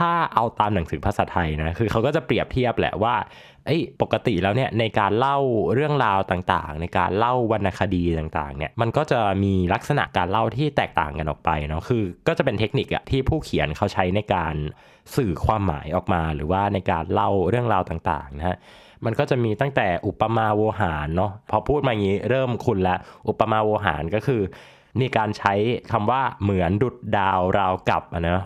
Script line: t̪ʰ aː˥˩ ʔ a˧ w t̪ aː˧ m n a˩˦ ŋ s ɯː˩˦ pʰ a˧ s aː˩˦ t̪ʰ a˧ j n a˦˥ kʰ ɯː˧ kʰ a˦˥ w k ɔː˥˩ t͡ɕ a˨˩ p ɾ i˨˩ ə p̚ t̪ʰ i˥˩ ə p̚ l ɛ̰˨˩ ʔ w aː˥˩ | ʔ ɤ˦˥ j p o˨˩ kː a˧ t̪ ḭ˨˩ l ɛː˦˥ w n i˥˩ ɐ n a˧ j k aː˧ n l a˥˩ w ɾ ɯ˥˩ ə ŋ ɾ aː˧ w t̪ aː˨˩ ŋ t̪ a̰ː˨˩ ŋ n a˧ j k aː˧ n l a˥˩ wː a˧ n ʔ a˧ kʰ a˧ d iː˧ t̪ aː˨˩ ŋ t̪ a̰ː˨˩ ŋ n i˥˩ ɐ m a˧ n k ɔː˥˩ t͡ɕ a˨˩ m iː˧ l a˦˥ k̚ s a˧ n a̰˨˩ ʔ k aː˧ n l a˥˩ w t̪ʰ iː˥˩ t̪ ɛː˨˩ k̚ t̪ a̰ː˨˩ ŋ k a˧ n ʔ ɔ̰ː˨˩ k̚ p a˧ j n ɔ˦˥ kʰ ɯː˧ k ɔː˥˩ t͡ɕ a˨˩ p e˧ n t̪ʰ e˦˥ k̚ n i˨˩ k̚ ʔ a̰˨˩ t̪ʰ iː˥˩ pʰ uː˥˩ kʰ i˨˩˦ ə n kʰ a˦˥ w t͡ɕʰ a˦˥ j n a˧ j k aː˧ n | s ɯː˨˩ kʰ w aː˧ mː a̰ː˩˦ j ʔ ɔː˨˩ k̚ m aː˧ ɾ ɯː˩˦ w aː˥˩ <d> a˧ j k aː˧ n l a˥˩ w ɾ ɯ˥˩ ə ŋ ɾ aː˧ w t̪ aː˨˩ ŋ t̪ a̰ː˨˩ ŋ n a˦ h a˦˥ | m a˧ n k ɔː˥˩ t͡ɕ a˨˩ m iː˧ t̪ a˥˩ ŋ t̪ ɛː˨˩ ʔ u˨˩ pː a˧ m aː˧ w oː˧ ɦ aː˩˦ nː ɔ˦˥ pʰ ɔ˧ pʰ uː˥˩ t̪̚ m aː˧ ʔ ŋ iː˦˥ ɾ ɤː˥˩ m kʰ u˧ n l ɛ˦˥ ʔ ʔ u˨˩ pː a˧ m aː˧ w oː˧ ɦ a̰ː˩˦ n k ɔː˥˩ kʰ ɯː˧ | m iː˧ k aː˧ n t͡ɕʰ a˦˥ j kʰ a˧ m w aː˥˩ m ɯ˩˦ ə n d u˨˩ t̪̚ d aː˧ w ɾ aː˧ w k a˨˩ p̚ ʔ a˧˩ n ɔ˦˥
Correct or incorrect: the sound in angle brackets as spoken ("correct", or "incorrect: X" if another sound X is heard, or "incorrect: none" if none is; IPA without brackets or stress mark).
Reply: incorrect: n